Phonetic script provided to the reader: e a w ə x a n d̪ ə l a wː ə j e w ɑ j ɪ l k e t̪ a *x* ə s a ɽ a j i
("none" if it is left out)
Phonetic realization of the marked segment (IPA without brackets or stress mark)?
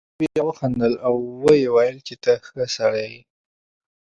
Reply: x